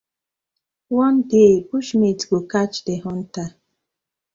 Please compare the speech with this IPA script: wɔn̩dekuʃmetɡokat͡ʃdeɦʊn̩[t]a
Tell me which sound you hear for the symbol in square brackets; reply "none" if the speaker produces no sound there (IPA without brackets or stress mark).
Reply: t